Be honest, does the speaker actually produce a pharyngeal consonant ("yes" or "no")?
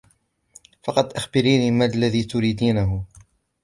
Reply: no